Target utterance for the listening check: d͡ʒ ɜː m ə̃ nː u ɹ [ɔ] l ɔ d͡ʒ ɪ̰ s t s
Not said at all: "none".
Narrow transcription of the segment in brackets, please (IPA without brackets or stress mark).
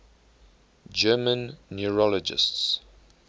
ɔ